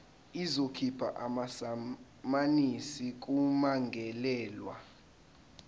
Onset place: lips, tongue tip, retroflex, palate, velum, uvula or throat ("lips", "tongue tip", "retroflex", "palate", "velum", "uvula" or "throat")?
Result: tongue tip